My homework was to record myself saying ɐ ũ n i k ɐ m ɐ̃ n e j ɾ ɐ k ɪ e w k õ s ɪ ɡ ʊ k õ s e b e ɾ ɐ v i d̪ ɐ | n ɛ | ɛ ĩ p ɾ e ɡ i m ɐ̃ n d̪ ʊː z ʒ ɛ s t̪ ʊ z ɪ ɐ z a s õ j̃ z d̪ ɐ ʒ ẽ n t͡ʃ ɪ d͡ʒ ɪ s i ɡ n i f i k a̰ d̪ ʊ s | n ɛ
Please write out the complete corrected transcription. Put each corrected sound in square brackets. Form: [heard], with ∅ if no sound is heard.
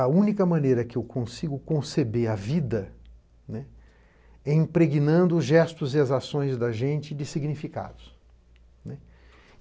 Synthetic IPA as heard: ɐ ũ n i k ɐ m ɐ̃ n e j ɾ ɐ k ɪ e w k õ s [i] ɡ ʊ k õ s e b e ɾ ɐ v i d̪ ɐ | n ɛ | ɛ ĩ p ɾ e ɡ i [n] ɐ̃ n d̪ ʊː z ʒ ɛ s t̪ ʊ z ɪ ɐ z a s õ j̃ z d̪ ɐ ʒ ẽ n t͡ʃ ɪ d͡ʒ ɪ s i ɡ n i f i k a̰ d̪ ʊ s | n ɛ

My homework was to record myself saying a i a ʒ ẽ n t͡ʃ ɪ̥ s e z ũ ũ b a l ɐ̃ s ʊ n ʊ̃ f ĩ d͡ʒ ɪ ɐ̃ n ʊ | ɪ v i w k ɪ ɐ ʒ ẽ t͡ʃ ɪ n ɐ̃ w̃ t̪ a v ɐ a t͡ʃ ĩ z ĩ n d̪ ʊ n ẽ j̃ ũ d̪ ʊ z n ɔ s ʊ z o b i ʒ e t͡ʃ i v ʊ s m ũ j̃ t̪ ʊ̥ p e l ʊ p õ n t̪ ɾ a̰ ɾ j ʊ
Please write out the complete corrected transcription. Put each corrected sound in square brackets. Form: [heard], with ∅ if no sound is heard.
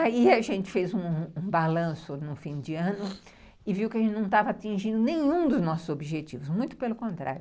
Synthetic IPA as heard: a i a ʒ ẽ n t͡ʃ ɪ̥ [f] e z ũ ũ b a l ɐ̃ s ʊ n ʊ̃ f ĩ d͡ʒ ɪ ɐ̃ n ʊ | ɪ v i w k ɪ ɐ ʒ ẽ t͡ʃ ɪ n ɐ̃ w̃ t̪ a v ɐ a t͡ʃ ĩ [ʒ] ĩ n d̪ ʊ n ẽ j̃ ũ d̪ ʊ z n ɔ s ʊ z o b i ʒ e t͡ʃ i v ʊ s m ũ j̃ t̪ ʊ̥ p e l ʊ [k] õ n t̪ ɾ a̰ ɾ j ʊ

